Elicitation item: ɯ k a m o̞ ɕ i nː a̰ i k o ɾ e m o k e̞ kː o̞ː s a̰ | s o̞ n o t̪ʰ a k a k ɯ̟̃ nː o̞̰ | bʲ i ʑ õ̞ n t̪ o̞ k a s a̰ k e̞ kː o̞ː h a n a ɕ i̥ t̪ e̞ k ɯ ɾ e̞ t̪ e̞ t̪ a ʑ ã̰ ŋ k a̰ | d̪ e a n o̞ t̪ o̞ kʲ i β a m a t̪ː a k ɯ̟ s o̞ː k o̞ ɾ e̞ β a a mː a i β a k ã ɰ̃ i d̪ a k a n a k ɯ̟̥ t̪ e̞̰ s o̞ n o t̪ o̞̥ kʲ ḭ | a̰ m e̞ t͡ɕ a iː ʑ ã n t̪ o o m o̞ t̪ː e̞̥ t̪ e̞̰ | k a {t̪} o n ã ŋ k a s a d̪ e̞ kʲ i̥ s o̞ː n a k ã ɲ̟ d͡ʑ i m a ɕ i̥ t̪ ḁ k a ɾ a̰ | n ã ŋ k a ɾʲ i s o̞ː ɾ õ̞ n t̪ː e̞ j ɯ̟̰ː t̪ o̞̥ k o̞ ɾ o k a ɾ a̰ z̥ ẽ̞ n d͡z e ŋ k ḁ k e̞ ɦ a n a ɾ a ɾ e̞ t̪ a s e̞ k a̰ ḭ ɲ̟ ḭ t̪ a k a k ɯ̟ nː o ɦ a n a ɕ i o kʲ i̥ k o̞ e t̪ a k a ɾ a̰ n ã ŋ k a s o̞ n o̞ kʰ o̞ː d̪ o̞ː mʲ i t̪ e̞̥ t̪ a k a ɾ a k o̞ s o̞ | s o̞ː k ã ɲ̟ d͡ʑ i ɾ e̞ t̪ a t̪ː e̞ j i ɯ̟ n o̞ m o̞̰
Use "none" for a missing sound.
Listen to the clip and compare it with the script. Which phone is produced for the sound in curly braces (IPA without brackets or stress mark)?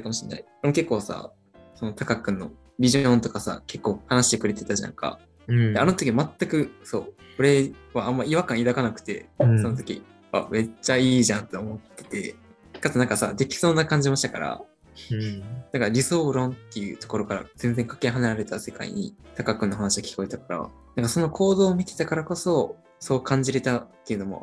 t̪